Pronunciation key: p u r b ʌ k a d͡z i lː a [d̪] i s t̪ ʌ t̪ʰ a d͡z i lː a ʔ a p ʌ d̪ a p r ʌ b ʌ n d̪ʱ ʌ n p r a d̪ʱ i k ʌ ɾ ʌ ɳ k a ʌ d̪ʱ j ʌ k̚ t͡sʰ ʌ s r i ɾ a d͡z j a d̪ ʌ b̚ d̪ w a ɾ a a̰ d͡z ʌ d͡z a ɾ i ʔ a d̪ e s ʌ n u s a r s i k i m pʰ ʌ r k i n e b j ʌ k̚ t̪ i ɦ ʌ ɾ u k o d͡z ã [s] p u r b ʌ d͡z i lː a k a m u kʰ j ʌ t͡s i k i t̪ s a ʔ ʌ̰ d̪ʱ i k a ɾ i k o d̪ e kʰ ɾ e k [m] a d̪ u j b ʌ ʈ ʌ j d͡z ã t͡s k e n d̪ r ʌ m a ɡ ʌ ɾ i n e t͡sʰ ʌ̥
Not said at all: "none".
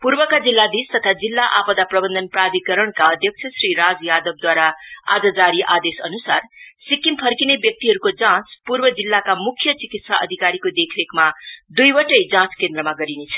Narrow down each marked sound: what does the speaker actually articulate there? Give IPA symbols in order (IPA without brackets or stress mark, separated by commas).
d̪, t͡s, m